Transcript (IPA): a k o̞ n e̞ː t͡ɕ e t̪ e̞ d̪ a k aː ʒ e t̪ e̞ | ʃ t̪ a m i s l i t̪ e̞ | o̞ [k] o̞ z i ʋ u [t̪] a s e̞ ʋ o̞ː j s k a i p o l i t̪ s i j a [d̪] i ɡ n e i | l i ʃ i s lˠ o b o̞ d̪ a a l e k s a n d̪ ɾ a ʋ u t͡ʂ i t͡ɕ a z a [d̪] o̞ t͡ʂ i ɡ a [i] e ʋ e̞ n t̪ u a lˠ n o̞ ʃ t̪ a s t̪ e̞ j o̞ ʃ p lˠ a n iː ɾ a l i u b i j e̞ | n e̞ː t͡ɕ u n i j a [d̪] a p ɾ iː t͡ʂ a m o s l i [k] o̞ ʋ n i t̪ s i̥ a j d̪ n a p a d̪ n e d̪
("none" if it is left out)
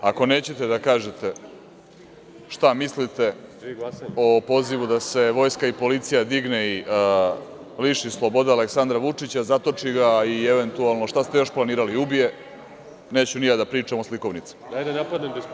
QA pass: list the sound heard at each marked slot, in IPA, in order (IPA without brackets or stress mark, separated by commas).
p, d̪, d̪, t̪, i, d̪, k